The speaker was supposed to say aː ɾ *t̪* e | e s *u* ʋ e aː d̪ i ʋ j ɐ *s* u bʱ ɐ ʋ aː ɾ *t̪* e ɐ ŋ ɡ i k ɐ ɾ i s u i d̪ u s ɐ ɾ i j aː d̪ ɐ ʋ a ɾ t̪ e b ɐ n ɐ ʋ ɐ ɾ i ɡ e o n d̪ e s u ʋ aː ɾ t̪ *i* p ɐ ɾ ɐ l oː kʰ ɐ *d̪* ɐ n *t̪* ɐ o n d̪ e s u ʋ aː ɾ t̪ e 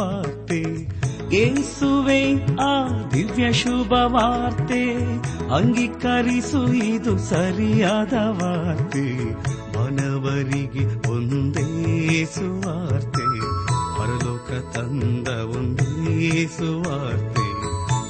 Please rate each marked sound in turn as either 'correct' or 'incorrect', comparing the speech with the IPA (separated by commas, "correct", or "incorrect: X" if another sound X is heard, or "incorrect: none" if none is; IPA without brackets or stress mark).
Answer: correct, correct, incorrect: ʃ, correct, incorrect: e, incorrect: t̪, incorrect: d̪